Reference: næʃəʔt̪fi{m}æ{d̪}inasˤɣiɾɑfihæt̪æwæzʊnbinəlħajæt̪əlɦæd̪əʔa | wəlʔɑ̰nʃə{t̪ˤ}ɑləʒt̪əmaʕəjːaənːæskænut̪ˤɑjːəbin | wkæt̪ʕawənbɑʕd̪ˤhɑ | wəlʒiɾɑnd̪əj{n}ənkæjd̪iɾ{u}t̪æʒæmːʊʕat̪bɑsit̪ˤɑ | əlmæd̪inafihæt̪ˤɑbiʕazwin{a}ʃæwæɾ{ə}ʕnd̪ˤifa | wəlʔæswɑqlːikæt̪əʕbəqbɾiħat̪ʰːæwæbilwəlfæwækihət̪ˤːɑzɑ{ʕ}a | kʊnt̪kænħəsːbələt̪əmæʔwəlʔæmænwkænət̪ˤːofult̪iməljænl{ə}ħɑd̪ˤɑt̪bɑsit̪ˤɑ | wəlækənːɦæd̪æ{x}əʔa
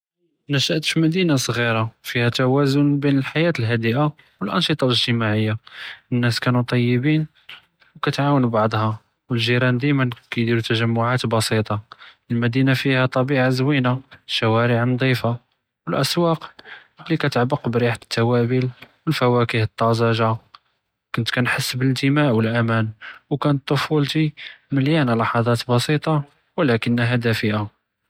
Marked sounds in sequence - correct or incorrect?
correct, correct, correct, incorrect: m, correct, correct, correct, incorrect: ʒ, incorrect: ɑ, incorrect: f

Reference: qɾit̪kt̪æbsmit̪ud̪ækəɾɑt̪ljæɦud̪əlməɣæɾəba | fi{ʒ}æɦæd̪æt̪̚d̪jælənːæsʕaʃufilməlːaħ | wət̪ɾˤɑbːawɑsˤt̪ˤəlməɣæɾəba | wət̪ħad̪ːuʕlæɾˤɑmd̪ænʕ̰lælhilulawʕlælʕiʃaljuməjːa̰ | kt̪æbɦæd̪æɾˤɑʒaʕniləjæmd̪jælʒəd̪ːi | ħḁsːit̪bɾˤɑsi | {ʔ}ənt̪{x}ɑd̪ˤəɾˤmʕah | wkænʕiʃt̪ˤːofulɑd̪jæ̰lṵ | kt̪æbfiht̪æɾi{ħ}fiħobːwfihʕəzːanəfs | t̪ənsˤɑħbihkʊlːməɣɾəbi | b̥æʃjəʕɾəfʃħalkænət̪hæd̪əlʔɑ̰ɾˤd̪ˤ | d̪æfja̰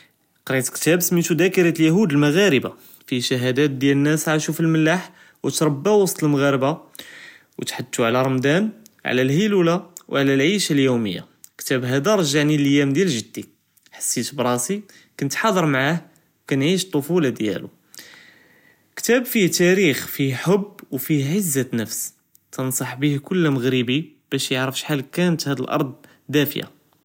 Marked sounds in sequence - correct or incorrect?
incorrect: ʃ, incorrect: k, incorrect: ħ, incorrect: x

